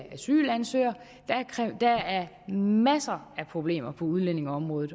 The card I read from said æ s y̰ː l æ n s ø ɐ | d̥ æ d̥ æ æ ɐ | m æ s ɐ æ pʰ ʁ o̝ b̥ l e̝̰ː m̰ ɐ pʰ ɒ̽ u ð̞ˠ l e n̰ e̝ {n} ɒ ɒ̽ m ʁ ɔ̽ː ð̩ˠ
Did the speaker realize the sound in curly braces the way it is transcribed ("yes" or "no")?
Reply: no